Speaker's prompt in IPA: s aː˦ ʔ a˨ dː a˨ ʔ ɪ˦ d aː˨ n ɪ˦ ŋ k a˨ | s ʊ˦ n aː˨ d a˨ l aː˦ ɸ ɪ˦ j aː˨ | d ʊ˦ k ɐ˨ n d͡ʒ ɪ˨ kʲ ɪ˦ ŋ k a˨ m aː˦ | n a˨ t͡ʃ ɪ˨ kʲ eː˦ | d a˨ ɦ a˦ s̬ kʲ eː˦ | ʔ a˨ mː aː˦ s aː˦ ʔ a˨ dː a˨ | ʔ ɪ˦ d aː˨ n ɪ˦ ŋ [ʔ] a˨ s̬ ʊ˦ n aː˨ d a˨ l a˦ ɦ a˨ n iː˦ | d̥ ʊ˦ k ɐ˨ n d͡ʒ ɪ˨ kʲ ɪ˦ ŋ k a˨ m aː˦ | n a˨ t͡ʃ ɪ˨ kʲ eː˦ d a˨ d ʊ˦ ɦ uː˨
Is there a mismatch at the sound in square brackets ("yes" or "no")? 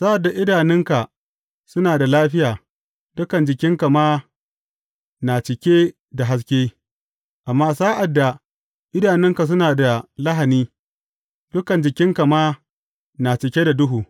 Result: yes